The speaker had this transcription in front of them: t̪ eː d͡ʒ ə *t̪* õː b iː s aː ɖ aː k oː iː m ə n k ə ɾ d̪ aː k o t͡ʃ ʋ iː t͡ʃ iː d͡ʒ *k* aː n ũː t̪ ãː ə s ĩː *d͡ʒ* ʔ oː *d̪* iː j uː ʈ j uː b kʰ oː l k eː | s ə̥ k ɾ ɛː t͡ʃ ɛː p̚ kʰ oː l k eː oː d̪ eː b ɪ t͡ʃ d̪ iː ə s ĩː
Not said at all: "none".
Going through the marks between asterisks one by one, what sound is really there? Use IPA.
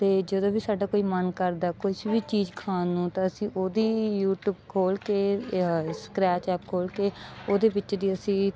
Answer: d̪, kʰ, none, d̪

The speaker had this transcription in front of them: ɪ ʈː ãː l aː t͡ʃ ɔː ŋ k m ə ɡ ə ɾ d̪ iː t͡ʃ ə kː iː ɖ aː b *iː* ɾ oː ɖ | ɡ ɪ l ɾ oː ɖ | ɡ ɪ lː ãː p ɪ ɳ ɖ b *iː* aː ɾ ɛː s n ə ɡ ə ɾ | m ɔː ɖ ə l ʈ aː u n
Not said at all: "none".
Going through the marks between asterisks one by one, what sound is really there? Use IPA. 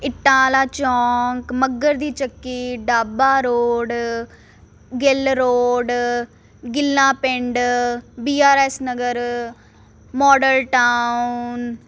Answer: aː, iː

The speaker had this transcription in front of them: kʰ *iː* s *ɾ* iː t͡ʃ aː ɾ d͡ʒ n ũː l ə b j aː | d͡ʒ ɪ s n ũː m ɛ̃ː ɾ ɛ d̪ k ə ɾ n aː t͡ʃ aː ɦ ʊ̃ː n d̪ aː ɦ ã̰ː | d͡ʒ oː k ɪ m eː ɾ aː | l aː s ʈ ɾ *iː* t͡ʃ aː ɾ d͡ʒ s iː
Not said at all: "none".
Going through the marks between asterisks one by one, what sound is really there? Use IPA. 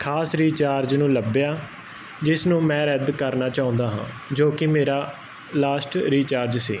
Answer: aː, ɾ, iː

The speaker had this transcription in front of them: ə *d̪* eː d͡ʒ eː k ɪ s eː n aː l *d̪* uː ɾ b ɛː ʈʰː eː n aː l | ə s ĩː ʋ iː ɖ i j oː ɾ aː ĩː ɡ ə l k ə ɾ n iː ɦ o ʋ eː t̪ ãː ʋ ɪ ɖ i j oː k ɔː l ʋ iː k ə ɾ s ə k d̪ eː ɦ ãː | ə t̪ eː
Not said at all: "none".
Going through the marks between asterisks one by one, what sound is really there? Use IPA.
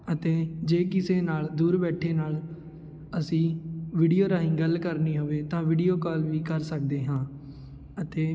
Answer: t̪, d̪

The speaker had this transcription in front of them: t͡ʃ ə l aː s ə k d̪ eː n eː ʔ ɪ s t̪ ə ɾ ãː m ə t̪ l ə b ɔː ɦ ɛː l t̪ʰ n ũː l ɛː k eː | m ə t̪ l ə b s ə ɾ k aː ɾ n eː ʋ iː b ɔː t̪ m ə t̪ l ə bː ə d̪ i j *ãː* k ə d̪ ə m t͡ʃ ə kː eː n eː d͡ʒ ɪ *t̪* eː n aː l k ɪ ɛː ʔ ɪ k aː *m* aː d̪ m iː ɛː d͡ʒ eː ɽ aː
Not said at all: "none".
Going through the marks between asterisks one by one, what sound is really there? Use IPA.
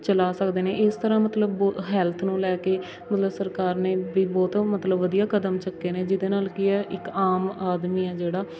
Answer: aː, d̪, m

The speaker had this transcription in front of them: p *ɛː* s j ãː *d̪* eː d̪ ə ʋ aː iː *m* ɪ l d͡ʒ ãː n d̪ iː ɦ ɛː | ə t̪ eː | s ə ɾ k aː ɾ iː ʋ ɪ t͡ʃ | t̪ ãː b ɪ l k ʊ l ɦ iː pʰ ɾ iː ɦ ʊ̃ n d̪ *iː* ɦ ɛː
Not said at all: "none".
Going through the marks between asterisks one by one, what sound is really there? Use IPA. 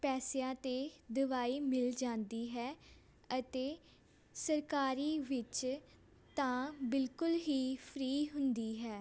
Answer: ɛː, t̪, m, iː

